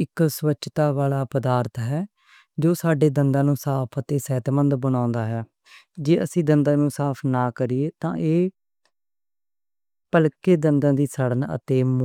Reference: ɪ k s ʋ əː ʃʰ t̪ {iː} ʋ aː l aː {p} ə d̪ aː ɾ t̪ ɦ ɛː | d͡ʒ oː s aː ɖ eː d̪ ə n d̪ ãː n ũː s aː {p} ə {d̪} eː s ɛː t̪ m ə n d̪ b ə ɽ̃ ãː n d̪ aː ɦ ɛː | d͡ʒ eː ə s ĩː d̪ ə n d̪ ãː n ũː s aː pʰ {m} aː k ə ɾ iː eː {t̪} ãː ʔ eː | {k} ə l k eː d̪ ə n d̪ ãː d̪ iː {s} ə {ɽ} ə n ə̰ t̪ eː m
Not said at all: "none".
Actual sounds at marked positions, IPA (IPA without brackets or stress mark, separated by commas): aː, p, pʰ, t̪, n, t̪, p, s, ɽ